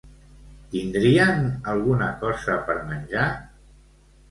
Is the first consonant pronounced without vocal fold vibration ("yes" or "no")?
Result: yes